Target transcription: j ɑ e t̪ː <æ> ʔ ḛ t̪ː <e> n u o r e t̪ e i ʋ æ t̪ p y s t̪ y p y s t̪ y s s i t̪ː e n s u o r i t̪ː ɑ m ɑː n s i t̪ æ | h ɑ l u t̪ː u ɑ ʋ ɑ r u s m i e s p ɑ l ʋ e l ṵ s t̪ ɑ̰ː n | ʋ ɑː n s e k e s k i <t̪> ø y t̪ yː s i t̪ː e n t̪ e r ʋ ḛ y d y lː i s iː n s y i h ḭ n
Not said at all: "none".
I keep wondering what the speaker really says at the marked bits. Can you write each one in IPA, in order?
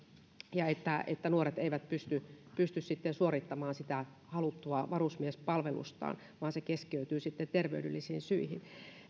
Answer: æ, æ, none

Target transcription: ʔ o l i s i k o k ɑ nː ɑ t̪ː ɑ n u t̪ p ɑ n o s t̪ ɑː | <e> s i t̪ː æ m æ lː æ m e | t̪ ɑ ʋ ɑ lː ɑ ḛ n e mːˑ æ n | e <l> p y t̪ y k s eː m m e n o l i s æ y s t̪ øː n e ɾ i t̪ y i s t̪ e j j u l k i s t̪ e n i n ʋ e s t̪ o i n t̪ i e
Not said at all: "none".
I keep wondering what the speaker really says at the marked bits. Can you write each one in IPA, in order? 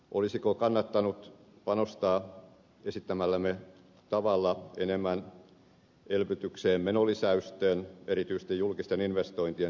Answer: e, l

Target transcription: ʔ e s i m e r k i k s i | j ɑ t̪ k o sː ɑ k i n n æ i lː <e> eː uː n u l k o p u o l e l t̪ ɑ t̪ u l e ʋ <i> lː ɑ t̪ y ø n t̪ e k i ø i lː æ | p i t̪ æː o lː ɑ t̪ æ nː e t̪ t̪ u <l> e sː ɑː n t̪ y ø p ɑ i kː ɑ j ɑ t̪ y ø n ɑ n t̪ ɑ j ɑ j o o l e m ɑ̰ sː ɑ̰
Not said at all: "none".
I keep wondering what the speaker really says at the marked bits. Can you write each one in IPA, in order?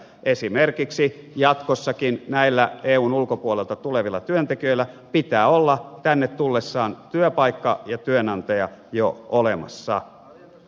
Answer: æ, i, lː

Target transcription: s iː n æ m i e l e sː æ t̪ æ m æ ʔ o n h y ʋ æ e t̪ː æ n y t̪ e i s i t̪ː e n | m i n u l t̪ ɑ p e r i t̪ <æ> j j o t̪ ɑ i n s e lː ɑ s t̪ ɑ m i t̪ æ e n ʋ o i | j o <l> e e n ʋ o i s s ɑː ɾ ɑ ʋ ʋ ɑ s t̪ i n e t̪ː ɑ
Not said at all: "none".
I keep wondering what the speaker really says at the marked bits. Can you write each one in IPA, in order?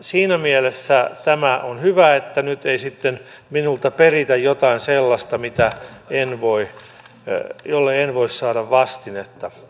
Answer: æ, lː

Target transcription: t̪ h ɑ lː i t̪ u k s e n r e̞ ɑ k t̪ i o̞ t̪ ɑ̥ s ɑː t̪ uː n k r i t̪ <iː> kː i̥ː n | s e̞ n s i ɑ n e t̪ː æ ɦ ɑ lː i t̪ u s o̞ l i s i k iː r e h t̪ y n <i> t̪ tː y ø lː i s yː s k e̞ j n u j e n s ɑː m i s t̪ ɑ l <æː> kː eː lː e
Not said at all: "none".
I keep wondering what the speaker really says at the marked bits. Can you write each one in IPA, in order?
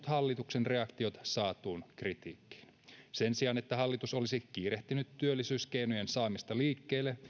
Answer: iː, y, iː

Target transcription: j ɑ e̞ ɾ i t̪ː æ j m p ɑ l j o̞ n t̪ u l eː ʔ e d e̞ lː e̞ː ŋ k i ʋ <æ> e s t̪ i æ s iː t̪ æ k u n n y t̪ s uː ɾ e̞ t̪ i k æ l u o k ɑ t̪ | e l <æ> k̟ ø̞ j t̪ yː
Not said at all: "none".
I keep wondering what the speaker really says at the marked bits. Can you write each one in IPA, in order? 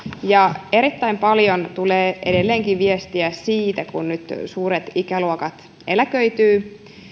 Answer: i, æ

